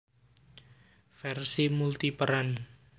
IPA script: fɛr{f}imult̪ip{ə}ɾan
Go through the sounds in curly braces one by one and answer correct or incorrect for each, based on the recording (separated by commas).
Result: incorrect, correct